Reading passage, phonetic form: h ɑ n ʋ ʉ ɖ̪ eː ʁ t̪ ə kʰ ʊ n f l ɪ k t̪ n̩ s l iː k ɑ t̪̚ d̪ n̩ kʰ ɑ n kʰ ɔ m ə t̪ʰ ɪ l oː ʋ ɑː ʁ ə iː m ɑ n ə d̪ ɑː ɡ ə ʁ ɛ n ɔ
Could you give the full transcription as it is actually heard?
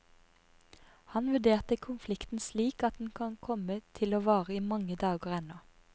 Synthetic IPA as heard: h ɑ n ʋ ʉ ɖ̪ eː ʁ t̪ ə kʰ ʊ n f l ɪ k t̪ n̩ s l iː k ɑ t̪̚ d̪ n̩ kʰ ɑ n kʰ ɔ m ə t̪ʰ ɪ l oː ʋ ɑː ʁ ə iː m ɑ ŋ ə d̪ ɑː ɡ ə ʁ ɛ n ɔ